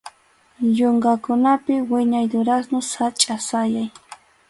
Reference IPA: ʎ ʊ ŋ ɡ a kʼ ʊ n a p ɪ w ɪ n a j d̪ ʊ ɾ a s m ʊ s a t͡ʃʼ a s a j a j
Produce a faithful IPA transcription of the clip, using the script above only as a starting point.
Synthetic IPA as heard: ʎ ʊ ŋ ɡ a k ʊ n a p ɪ w ɪ ɲ a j d̪ ʊ ɾ a s n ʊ s a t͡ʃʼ a s a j a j